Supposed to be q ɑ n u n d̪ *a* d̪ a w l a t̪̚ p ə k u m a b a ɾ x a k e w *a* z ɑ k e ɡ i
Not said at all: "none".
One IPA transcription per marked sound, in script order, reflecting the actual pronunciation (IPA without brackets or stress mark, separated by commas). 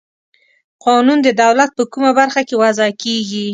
ə, a